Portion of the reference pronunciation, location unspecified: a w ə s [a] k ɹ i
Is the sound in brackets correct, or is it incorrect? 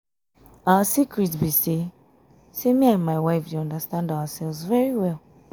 incorrect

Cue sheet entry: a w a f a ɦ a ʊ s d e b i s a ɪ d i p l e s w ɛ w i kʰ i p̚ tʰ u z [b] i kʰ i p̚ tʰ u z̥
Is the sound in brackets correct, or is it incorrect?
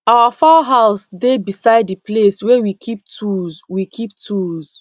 incorrect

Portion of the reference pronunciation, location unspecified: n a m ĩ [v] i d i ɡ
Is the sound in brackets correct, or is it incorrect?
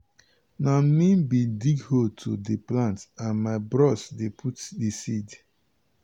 incorrect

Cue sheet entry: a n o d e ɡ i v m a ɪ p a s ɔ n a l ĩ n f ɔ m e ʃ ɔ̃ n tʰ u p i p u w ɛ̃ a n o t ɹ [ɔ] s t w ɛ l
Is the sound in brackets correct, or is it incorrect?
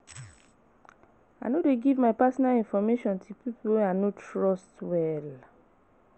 correct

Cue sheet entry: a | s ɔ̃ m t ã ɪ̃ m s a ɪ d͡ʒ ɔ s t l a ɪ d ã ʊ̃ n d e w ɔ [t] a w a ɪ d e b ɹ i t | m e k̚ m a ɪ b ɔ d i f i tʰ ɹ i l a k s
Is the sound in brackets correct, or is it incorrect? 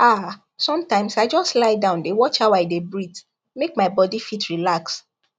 incorrect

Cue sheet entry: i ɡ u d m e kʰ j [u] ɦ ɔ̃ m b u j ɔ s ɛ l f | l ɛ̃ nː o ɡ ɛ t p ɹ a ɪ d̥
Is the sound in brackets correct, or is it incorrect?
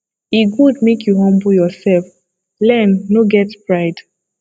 correct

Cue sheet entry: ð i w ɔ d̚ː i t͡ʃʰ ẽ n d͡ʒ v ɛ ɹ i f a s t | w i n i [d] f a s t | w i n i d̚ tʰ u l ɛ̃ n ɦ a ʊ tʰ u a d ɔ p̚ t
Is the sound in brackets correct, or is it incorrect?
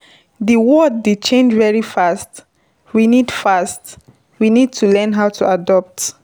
correct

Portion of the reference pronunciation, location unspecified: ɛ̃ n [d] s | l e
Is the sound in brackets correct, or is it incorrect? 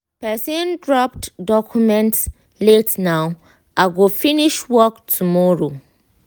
incorrect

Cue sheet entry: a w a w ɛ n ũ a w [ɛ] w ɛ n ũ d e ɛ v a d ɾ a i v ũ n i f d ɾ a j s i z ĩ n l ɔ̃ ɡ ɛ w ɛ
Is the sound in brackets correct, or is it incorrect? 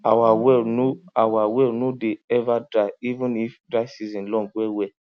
incorrect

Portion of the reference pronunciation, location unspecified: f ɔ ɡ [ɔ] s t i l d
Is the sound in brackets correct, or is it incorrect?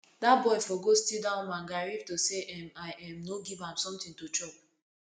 incorrect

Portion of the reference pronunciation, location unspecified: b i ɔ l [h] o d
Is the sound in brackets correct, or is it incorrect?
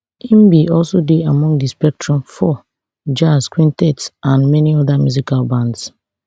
incorrect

